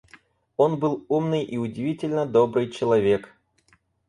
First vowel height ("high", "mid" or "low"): mid